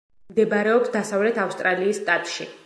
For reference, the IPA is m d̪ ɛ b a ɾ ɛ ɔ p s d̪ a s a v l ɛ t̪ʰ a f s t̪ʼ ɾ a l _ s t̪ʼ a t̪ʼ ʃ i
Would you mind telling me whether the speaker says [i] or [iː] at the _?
iː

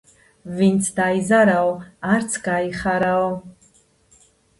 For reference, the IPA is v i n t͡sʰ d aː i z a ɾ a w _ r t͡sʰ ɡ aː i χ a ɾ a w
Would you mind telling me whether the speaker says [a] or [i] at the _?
a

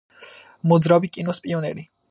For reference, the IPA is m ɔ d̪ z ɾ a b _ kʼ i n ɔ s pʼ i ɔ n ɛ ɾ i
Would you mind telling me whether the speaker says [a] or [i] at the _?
i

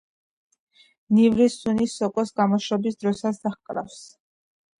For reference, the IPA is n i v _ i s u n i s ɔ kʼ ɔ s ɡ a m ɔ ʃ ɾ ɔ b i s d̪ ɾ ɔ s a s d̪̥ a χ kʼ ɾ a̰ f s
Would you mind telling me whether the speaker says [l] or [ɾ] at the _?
ɾ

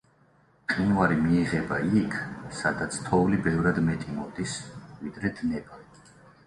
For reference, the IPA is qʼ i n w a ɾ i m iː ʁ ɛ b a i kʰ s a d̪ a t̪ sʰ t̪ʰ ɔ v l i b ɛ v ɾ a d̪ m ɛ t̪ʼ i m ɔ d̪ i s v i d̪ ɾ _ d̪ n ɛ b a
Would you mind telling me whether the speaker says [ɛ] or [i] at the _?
ɛ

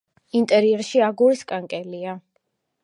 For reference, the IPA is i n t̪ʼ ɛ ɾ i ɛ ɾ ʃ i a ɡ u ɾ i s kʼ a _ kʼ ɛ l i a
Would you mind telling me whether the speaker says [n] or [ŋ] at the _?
ŋ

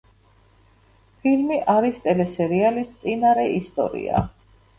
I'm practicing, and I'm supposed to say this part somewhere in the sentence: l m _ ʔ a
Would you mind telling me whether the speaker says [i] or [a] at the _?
i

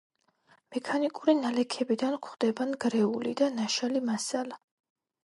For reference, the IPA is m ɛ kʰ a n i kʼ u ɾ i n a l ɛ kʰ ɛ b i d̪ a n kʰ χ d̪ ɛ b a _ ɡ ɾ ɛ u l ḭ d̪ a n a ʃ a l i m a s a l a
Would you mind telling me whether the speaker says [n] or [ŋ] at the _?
n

